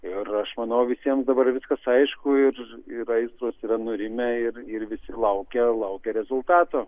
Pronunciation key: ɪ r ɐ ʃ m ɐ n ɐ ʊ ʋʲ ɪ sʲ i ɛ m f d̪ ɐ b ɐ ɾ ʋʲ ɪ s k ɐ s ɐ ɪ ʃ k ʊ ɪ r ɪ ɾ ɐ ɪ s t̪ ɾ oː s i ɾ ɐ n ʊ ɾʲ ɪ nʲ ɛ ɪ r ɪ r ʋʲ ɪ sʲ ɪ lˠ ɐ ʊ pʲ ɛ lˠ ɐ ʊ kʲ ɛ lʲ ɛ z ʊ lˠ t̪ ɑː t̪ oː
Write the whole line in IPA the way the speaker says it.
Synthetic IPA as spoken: ɪ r ɐ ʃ m ɐ n ɐ ʊ ʋʲ ɪ sʲ i ɛ m s d̪ ɐ b ɐ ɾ ʋʲ ɪ s k ɐ s ɐ ɪ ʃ k ʊ ɪ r ɪ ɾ ɐ ɪ s t̪ ɾ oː s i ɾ ɐ n ʊ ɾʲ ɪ mʲ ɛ ɪ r ɪ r ʋʲ ɪ sʲ ɪ lˠ ɐ ʊ kʲ ɛ lˠ ɐ ʊ kʲ ɛ ɾʲ ɛ z ʊ lˠ t̪ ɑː t̪ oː